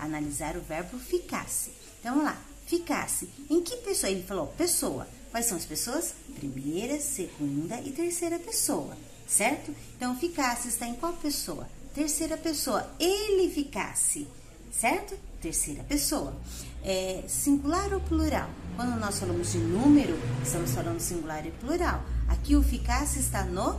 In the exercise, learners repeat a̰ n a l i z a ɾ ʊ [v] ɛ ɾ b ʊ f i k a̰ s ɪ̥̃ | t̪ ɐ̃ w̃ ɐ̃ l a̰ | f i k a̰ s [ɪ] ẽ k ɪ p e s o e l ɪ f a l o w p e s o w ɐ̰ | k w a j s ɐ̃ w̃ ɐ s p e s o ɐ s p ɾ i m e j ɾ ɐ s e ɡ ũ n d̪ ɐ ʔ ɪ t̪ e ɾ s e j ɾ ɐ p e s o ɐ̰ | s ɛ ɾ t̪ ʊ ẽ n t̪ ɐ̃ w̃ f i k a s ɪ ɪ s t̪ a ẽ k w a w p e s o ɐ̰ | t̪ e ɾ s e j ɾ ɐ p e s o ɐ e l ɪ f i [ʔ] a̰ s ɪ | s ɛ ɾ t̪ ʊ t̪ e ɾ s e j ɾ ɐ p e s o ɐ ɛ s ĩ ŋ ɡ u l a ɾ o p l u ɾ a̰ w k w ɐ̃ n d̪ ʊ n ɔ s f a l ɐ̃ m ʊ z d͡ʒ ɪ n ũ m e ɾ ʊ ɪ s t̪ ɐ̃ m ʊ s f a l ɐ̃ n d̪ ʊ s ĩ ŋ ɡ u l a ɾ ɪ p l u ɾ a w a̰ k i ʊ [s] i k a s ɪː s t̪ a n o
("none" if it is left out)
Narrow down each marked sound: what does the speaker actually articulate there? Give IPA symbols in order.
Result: v, ɪ, k, f

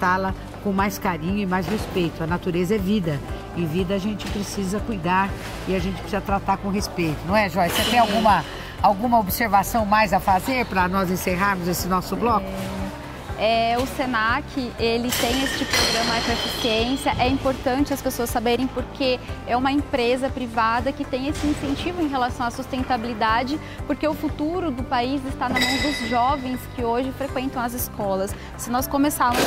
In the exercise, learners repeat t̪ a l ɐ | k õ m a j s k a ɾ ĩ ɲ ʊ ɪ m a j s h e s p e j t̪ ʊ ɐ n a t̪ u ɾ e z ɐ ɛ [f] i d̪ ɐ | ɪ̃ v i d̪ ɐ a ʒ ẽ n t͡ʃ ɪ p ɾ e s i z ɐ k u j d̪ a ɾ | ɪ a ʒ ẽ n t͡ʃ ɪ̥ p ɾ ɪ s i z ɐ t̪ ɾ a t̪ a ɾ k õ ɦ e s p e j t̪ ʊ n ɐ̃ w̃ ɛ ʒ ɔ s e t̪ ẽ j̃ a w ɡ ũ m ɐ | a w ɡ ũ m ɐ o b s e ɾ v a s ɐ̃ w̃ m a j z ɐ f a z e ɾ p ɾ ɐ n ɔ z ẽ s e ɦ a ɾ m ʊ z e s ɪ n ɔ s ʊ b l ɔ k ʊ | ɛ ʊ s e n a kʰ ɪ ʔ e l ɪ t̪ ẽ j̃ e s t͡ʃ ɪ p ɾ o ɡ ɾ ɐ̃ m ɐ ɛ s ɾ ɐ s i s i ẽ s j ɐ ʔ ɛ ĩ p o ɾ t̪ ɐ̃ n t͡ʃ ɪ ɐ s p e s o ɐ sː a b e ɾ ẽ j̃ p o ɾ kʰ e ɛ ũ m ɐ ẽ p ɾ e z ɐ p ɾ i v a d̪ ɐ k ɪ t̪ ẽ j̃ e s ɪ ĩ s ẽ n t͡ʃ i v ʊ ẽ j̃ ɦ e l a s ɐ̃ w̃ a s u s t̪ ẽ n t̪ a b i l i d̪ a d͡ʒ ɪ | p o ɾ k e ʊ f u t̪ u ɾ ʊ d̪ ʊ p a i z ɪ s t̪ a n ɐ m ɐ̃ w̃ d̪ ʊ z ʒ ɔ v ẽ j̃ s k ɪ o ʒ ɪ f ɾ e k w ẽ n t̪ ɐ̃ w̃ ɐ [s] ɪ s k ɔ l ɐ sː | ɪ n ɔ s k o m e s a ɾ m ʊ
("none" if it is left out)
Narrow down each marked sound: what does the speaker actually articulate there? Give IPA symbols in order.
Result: v, z

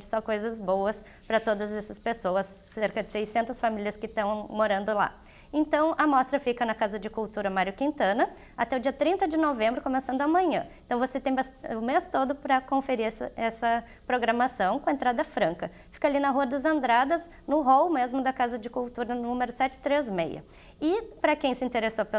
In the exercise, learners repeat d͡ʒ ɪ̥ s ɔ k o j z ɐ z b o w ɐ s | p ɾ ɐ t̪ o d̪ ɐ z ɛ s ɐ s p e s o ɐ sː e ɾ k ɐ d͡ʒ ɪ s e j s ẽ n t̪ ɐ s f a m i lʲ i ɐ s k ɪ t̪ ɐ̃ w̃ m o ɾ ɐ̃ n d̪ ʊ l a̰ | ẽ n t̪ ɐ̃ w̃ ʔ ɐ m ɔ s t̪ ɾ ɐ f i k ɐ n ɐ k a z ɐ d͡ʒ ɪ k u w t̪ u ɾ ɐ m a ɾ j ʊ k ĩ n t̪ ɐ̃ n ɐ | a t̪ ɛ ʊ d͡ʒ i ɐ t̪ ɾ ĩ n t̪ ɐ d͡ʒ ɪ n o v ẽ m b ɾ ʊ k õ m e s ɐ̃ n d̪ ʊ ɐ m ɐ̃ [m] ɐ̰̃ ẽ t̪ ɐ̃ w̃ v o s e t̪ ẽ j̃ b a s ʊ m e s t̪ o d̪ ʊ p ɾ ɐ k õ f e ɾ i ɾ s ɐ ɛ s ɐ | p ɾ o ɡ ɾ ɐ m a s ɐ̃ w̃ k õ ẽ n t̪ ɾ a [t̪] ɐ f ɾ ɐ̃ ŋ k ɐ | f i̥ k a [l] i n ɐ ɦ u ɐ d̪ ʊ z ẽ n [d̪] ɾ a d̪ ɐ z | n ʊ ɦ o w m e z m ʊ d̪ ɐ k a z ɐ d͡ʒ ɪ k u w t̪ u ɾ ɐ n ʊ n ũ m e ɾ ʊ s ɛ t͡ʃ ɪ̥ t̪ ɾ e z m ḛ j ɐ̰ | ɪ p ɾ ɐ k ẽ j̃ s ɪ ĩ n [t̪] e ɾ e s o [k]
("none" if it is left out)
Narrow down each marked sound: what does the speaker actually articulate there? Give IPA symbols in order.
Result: ɲ, d̪, l, d̪, t̪, p

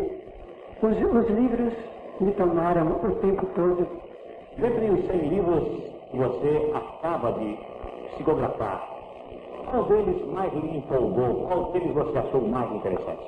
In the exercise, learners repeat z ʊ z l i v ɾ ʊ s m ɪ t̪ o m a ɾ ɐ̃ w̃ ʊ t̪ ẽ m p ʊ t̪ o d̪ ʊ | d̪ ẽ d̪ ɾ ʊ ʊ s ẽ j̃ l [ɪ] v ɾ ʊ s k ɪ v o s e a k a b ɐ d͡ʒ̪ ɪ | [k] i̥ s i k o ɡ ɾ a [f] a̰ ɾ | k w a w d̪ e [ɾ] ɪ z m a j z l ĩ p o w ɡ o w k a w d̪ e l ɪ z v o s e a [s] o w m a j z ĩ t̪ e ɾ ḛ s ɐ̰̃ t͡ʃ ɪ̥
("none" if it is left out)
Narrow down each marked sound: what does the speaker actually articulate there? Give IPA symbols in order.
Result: i, p, f, l, ʃ

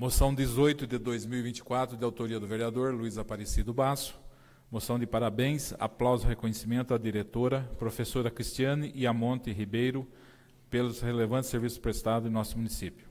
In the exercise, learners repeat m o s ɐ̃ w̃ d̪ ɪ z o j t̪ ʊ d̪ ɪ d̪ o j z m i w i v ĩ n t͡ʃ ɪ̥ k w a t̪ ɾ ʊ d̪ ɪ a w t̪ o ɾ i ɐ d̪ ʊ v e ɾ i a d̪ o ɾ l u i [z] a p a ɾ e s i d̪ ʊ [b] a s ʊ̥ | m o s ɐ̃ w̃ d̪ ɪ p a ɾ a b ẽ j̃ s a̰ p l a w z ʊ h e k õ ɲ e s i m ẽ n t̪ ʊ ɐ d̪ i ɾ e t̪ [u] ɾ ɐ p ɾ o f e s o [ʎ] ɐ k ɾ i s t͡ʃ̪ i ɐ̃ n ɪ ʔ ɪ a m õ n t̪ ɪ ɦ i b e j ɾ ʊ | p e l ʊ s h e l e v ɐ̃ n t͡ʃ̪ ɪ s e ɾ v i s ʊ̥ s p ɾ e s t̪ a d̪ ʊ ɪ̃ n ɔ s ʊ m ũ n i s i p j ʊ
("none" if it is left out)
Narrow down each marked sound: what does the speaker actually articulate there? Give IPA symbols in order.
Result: z, b, o, ɾ

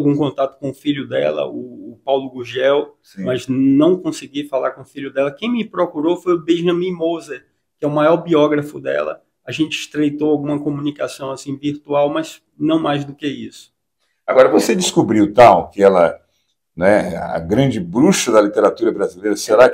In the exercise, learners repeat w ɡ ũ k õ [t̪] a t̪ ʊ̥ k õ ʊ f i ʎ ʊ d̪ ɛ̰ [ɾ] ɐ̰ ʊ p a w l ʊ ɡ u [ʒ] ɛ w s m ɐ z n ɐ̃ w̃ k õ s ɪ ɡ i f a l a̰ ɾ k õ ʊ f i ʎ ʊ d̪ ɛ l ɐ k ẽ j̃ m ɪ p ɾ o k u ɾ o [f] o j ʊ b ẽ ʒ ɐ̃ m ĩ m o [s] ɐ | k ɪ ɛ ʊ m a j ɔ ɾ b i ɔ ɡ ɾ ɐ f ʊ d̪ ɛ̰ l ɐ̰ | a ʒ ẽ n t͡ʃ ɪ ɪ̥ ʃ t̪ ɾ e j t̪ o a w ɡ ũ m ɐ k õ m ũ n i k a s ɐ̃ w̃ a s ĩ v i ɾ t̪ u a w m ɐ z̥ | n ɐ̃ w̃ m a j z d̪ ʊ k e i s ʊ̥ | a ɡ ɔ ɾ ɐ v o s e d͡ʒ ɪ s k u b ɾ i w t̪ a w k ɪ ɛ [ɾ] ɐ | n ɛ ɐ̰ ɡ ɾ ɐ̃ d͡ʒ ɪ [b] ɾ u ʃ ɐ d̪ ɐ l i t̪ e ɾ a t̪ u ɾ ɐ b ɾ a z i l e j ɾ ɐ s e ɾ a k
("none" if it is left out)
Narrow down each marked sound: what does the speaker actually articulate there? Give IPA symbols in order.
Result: t̪, l, ʒ, f, z, l, b

